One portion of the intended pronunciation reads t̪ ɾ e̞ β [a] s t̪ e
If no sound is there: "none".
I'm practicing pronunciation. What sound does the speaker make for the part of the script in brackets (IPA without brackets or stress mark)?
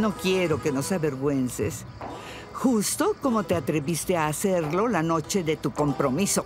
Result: i